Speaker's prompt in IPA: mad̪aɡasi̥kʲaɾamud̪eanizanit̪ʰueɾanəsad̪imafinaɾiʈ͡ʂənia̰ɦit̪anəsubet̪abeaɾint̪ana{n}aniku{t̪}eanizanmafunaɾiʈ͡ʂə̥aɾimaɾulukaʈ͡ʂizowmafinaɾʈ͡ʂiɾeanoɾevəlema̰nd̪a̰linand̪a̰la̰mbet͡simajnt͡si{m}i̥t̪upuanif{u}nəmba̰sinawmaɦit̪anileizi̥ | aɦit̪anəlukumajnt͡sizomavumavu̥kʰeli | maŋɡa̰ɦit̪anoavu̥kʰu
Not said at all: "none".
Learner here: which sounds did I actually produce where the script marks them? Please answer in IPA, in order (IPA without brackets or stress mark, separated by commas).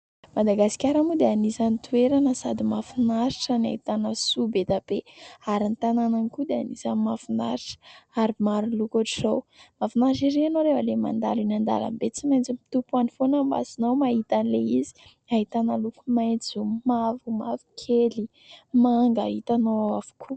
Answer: n, d̪, m, o